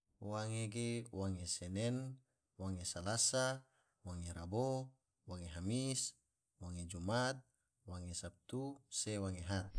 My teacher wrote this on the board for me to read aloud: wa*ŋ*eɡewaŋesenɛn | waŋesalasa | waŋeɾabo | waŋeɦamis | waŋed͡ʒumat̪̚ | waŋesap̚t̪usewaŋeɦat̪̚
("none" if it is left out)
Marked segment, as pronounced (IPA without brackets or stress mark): ŋ